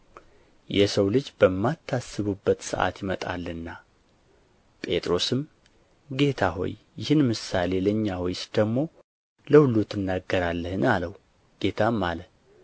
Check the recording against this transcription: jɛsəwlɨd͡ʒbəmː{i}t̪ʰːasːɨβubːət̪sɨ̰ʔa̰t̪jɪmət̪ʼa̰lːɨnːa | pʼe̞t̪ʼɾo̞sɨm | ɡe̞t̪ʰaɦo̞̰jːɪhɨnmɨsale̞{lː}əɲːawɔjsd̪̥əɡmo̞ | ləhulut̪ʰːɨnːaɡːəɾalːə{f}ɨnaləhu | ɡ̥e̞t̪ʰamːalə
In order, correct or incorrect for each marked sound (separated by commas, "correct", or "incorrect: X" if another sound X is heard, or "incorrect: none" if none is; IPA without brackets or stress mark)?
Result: incorrect: a, incorrect: l, incorrect: h